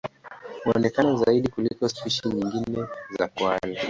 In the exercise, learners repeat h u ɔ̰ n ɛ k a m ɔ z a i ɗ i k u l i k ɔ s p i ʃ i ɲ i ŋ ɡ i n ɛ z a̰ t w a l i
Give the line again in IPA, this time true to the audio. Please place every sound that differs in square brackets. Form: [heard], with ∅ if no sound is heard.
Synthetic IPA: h u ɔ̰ n ɛ k a [n] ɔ z a i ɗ i k u l i k ɔ s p i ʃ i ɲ i ŋ ɡ i n ɛ z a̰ [k] w a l i